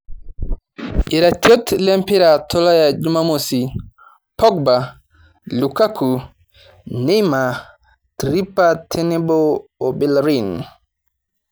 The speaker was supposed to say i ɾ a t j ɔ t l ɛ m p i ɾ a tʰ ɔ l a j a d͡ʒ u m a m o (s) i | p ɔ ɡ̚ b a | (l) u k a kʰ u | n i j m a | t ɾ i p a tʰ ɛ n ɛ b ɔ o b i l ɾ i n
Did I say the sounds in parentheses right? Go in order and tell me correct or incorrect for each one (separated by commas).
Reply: correct, correct